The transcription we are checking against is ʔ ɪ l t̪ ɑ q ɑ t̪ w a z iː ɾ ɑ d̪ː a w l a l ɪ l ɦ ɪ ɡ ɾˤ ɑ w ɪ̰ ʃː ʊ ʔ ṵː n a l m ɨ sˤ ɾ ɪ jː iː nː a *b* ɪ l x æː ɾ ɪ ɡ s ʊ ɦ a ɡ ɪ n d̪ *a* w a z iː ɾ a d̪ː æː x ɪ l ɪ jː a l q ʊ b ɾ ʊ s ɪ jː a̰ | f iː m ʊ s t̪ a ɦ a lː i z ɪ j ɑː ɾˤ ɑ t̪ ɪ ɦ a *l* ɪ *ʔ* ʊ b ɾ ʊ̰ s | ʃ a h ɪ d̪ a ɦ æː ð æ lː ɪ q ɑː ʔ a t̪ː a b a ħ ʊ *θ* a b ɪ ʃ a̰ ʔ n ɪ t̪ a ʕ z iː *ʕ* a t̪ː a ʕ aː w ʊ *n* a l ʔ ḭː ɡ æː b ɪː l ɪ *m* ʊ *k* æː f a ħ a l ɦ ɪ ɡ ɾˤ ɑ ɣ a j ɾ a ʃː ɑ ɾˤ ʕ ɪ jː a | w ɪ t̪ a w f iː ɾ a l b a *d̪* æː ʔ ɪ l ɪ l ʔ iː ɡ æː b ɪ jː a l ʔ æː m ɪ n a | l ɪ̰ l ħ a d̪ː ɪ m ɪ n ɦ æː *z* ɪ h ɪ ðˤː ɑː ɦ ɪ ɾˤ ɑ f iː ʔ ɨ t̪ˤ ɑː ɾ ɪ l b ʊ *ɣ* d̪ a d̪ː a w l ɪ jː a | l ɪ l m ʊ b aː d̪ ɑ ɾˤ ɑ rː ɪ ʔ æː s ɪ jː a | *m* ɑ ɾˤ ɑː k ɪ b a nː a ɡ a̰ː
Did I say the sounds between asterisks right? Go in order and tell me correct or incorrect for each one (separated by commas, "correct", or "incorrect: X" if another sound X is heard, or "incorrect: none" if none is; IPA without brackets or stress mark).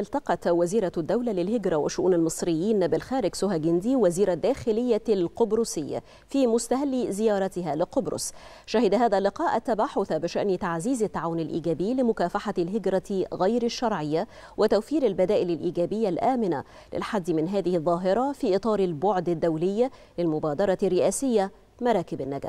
correct, incorrect: i, correct, incorrect: q, correct, incorrect: z, correct, correct, correct, correct, incorrect: ð, incorrect: ʕ, correct